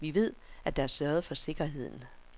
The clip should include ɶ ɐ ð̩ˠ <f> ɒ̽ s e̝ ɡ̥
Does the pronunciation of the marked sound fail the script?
no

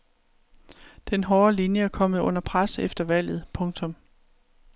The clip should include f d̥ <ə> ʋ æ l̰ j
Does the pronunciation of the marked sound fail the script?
yes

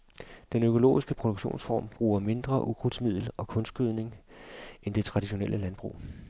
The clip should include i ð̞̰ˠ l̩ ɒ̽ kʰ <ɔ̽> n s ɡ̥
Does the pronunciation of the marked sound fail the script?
no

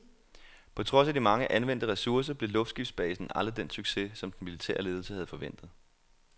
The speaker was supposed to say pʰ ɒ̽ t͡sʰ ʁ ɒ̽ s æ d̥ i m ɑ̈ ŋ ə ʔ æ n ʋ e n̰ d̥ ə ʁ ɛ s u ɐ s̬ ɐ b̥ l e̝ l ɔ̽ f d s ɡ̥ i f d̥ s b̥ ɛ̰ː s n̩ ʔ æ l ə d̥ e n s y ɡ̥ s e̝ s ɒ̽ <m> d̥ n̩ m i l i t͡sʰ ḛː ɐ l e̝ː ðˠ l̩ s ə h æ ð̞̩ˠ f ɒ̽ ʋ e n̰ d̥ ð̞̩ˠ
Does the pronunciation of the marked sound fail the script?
no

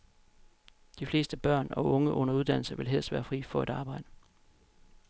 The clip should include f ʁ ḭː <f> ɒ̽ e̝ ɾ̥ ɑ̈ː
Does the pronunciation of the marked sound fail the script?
no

